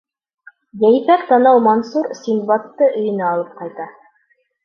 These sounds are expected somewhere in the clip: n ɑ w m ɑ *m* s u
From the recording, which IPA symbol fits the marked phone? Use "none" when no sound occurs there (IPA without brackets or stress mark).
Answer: n